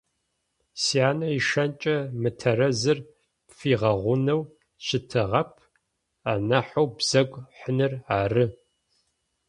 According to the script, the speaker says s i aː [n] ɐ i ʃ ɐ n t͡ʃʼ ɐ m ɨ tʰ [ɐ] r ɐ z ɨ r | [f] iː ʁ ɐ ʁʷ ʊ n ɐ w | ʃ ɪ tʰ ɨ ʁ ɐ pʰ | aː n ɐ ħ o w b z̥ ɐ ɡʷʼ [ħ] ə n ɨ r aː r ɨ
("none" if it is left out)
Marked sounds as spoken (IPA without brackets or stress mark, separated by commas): n, ɐ, f, ħ